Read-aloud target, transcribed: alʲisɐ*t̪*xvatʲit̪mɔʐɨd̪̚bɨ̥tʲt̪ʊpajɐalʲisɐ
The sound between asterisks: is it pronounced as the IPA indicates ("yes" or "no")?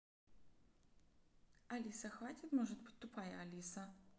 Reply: no